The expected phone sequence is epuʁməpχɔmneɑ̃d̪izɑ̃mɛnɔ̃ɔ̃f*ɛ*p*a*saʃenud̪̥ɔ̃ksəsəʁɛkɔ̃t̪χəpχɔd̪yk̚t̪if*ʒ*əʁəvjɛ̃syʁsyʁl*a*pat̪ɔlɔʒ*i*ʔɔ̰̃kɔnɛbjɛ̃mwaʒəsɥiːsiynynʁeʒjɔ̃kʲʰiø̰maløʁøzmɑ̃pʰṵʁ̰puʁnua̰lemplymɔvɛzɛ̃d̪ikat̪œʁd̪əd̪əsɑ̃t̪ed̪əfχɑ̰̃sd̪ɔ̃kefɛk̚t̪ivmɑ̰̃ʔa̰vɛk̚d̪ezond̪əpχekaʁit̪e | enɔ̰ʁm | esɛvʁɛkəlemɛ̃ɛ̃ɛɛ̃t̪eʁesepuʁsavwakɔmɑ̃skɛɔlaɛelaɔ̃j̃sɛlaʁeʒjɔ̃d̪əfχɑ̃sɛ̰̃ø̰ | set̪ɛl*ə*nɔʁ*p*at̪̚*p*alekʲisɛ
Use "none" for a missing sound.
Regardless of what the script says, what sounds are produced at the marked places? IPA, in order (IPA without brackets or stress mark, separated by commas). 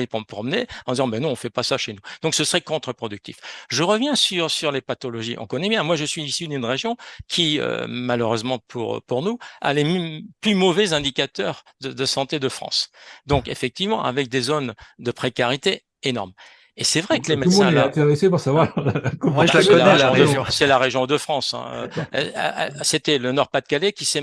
ɛ, a, ʒ, e, i, ə, p, k